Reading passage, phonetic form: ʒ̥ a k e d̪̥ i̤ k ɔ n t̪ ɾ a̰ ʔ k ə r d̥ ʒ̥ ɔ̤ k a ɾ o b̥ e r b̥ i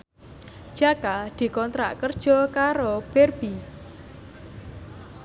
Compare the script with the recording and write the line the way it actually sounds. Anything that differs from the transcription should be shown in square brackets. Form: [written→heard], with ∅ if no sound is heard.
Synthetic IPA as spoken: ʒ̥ a k [e→a] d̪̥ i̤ k ɔ n t̪ ɾ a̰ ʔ k ə r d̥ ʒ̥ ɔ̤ k a ɾ o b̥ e r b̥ i